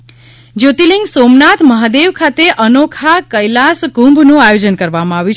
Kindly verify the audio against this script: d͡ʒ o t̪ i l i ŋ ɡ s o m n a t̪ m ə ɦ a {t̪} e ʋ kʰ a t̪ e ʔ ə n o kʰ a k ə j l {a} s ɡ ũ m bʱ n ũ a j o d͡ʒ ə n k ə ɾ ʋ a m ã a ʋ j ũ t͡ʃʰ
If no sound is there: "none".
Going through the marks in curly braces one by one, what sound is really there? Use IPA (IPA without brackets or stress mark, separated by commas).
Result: d̪, a